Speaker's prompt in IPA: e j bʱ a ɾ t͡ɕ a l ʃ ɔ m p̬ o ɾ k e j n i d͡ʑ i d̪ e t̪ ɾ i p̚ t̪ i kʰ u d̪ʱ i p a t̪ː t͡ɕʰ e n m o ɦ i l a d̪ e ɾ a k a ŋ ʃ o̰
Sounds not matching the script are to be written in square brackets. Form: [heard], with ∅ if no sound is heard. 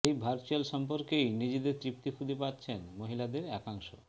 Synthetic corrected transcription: e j bʱ a ɾ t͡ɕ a l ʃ ɔ m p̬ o ɾ k e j n i d͡ʑ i d̪ e t̪ ɾ i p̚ t̪ i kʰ u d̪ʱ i p a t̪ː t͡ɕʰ e n m o ɦ i l a d̪ e ɾ [ɛ] k a ŋ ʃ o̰